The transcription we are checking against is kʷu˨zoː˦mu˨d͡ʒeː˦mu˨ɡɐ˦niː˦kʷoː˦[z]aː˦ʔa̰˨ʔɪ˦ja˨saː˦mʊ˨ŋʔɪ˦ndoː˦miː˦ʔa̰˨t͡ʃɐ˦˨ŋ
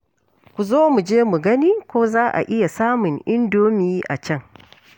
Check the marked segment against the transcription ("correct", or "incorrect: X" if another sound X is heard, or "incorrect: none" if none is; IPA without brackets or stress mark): correct